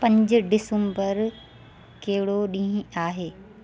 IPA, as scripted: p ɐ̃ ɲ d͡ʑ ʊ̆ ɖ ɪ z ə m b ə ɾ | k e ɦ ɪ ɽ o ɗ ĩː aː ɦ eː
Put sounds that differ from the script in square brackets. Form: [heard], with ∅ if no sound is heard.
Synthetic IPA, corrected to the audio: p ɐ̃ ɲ d͡ʑ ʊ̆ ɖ ɪ [s] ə m b ə ɾ | k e ɦ ɪ ɽ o ɗ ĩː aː ɦ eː